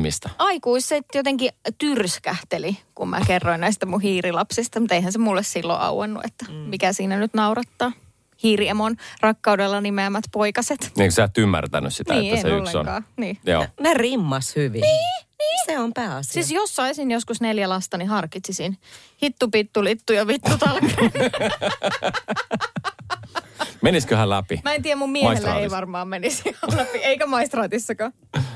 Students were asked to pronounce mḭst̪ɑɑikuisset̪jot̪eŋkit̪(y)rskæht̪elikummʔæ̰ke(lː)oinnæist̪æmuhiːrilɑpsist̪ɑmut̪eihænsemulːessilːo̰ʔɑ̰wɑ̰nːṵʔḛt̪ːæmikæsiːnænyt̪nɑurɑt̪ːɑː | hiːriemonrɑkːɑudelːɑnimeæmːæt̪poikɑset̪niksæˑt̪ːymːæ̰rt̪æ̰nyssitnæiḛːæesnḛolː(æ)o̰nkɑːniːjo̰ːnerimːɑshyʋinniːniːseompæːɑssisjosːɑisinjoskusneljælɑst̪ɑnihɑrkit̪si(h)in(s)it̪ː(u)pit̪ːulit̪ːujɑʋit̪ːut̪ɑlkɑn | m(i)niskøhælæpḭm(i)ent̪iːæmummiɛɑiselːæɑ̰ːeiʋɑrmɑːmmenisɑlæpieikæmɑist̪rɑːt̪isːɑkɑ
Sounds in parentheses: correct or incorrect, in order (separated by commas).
correct, incorrect, incorrect, incorrect, incorrect, correct, incorrect, incorrect